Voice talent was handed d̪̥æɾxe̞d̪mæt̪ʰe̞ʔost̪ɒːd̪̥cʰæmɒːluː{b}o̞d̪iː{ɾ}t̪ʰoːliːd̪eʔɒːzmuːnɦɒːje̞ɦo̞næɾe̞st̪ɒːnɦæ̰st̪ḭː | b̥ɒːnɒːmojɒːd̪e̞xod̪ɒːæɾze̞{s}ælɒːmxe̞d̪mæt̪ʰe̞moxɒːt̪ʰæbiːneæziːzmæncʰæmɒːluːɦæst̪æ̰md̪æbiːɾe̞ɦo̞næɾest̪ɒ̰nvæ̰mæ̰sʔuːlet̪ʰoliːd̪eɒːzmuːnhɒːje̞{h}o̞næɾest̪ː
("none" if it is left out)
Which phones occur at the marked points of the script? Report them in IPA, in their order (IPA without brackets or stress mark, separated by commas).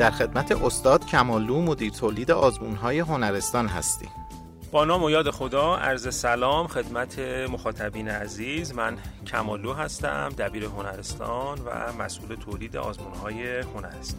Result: m, ɾ, s, h